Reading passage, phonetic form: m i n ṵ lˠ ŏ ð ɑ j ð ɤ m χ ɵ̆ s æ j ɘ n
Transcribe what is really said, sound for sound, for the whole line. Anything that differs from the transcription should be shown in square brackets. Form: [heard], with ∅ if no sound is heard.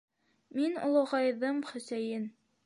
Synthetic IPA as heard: m i n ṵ lˠ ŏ [ʁ] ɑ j ð ɤ m χ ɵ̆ s æ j ɘ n